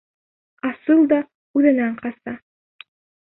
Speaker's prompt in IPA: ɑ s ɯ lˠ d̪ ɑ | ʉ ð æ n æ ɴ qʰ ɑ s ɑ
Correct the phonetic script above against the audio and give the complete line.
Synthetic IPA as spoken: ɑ s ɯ lˠ d̪ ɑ | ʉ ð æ n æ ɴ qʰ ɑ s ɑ